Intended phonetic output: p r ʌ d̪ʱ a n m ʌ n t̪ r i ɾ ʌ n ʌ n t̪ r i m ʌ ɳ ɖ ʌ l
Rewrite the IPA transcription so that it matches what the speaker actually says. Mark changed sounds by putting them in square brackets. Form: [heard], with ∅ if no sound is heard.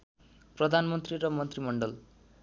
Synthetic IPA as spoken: p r ʌ d̪ʱ a n m ʌ n t̪ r i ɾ ʌ [m] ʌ n t̪ r i m ʌ ɳ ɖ ʌ l